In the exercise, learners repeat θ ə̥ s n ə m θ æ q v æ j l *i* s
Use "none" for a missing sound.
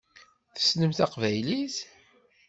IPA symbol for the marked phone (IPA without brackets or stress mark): i